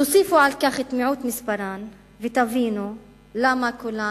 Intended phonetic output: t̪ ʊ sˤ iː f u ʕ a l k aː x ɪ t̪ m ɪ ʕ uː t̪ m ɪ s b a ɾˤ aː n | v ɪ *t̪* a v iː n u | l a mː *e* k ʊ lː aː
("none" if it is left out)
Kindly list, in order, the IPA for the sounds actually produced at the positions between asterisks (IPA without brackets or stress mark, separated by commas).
t̪, a